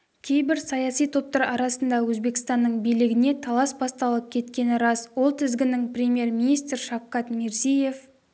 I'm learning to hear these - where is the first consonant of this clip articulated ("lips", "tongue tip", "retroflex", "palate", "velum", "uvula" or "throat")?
velum